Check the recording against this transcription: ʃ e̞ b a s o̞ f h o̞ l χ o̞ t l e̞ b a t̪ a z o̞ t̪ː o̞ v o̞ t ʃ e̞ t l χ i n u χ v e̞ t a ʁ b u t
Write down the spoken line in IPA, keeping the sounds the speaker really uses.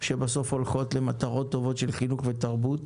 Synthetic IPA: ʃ e̞ b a s o̞ f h o̞ l χ o̞ t l e̞ m a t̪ a ʁ o̞ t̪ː o̞ v o̞ t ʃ e̞ l χ i n u χ v e̞ t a ʁ b u t